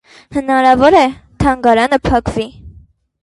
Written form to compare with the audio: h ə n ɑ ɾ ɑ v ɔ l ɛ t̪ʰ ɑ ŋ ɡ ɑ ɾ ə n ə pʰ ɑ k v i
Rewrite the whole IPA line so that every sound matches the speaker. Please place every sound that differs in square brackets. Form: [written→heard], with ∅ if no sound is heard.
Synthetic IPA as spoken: h ə n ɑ ɾ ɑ v ɔ [l→ɾ] ɛ t̪ʰ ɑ ŋ ɡ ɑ ɾ [ə→ɑ] n ə pʰ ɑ k v i